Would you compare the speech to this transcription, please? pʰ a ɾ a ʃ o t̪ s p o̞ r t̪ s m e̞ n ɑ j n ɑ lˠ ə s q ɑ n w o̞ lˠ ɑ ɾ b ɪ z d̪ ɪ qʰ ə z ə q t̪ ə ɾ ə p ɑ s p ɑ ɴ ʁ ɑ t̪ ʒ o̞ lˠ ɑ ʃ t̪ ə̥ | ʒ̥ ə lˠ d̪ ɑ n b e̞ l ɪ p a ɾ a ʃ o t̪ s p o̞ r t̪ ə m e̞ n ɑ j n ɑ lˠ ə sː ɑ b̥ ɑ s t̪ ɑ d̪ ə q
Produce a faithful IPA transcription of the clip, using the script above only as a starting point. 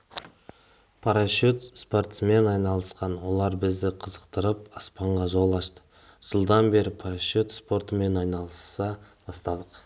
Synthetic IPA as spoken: pʰ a ɾ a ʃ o t̪ s p o̞ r t̪ s m e̞ n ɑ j n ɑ lˠ ə s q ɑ n w o̞ lˠ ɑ ɾ b ɪ z d̪ ɪ qʰ ə z ə q t̪ ə ɾ ə p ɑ s p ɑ ɴ ʁ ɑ ʒ o̞ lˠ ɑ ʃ t̪ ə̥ | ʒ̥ ə lˠ d̪ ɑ n b e̞ ɾ ɪ pʰ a ɾ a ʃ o t̪ s p o̞ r t̪ ə m e̞ n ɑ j n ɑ lˠ ə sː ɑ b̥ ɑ s t̪ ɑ d̪ ə q